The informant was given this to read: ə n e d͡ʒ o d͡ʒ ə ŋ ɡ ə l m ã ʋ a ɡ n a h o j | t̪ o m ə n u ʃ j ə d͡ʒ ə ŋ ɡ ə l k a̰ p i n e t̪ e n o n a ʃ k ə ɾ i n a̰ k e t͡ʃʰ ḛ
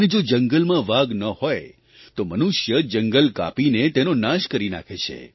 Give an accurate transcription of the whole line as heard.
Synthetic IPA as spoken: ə n e d͡ʒ o d͡ʒ ə ŋ ɡ ə l m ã ʋ a ɡ n ə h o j | t̪ o m ə n u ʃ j ə d͡ʒ ə ŋ ɡ ə l k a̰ p i n e t̪ e n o n a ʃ k ə ɾ i n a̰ kʰ e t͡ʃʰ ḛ

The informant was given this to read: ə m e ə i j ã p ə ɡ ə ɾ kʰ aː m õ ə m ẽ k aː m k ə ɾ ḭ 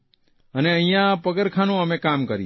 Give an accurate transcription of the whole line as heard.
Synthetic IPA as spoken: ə n e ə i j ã p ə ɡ ə ɾ kʰ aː n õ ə m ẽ k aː m k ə ɾ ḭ

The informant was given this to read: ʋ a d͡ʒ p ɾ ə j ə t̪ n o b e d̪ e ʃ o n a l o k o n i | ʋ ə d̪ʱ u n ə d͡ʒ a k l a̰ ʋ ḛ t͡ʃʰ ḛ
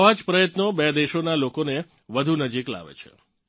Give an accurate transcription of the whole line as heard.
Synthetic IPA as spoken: ʋ a d͡ʒ p ɾ ə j ə t̪ n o b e d̪ e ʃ o n a l o k o n e | ʋ ə d̪ʱ u n ə d͡ʒ i k l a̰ ʋ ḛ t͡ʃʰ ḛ

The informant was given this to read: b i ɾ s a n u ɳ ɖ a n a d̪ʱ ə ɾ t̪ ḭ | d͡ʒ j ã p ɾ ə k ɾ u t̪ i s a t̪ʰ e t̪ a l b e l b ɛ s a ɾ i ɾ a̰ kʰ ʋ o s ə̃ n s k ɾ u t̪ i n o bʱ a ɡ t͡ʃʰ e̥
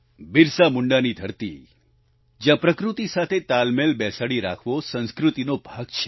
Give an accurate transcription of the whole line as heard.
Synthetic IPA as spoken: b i ɾ s a m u ɳ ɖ a n i d̪ʱ ə ɾ t̪ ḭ | d͡ʒ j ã p ɾ ə k ɾ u t̪ i s a t̪ʰ e t̪ a l m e l b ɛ s a ɽ i ɾ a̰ kʰ ʋ o s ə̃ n s k ɾ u t̪ i n o bʱ a ɡ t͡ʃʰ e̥

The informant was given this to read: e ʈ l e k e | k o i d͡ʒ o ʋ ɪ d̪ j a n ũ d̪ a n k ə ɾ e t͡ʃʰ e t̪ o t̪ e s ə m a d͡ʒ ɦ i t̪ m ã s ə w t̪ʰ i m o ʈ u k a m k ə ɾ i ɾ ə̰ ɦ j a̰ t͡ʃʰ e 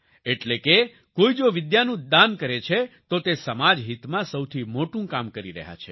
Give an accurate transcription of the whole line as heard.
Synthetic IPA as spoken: e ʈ l e k e | k o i d͡ʒ o ʋ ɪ d̪ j a n ũ d̪ a n k ə ɾ e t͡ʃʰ e t̪ o t̪ e s ə m a d͡ʒ ɦ i t̪ m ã s ə w t̪ʰ i m o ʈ ũ k a m k ə ɾ i ɾ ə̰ ɦ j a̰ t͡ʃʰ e

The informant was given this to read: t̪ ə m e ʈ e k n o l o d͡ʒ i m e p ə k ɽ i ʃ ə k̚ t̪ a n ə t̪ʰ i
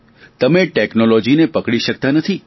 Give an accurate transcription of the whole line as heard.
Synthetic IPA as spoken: t̪ ə m e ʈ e k n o l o d͡ʒ i n e p ə k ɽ i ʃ ə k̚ t̪ a n ə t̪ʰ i

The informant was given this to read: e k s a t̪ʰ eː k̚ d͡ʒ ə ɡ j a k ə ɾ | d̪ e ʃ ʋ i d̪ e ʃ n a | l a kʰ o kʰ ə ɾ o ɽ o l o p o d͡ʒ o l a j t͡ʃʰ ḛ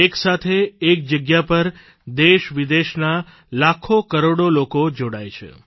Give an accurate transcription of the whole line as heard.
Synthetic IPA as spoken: e k s a t̪ʰ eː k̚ d͡ʒ ə ɡ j a p ə ɾ | d̪ e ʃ ʋ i d̪ e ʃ n a | l a kʰ o k ə ɾ o ɽ o l o k o d͡ʒ o ɽ a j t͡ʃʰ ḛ

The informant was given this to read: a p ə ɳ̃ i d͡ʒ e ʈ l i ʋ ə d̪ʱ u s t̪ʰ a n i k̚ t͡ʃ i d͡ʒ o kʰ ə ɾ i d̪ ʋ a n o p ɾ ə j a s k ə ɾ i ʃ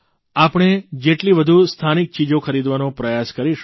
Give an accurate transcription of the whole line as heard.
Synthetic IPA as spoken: a p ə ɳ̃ e d͡ʒ e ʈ l i ʋ ə d̪ʱ u s t̪ʰ a n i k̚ t͡ʃ i d͡ʒ o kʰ ə ɾ i d̪ ʋ a n o p ɾ ə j a s k ə ɾ i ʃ

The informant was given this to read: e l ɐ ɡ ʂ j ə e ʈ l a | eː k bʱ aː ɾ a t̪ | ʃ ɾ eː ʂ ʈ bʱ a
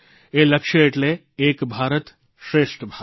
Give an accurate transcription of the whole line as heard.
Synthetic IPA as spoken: e l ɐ k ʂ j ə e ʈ l e | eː k bʱ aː ɾ ə t̪ | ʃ ɾ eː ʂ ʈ bʱ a

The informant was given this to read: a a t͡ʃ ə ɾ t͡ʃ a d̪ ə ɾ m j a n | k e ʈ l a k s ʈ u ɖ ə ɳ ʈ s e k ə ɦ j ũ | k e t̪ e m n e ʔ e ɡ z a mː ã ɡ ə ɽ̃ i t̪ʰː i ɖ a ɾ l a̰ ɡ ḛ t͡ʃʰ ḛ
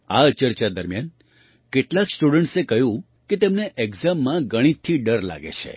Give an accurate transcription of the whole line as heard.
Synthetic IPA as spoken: a ə t͡ʃ ə ɾ t͡ʃ a d̪ ə ɾ m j a n | k e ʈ l a k s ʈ u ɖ ə ɳ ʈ s e k ə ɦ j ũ | k e t̪ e m n e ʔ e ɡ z a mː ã ɡ ə ɽ̃ i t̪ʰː i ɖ ə ɾ l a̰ ɡ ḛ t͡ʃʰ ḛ

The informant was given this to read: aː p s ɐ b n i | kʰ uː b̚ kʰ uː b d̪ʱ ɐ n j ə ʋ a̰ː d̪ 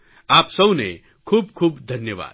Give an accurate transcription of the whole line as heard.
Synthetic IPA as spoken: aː p s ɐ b n e | kʰ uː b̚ kʰ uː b d̪ʱ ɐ n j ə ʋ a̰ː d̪

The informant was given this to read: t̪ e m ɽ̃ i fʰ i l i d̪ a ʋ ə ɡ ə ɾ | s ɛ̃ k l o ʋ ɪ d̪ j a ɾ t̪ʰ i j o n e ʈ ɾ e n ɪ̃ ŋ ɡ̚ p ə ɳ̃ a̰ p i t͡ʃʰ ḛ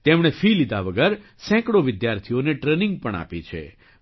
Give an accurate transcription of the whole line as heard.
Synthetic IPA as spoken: t̪ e m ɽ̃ e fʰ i l i d̪ a ʋ ə ɡ ə ɾ | s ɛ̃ k ɽ o ʋ ɪ d̪ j a ɾ t̪ʰ i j o n e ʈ ɾ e n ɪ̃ ŋ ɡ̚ p ə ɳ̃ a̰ p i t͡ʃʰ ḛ

